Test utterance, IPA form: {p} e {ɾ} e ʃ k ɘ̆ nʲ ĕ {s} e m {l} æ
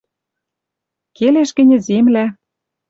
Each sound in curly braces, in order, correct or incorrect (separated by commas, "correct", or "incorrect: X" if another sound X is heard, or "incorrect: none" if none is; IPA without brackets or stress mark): incorrect: k, incorrect: l, incorrect: z, correct